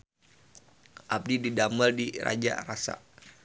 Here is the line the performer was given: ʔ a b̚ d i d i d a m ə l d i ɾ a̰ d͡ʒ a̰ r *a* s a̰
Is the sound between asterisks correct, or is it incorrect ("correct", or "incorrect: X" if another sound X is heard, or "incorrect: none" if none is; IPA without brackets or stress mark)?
correct